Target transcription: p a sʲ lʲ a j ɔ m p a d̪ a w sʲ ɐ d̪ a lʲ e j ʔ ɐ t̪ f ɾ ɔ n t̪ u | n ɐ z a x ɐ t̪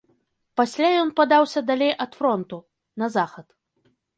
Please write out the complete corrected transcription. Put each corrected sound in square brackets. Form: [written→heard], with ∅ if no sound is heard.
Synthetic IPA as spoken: p a sʲ lʲ a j ɔ [m→n] p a d̪ a w sʲ ɐ d̪ a lʲ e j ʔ ɐ t̪ f ɾ ɔ n t̪ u | n ɐ z a x ɐ t̪